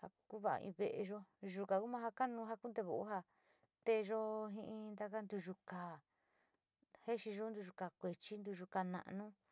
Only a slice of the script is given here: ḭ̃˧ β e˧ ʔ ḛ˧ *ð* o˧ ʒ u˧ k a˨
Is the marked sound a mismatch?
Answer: yes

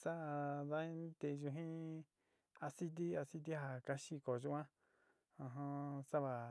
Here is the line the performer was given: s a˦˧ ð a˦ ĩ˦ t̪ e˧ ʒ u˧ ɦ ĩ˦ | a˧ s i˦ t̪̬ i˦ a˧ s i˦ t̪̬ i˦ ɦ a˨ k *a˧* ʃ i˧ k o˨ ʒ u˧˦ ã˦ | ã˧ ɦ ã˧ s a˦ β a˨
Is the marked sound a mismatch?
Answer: no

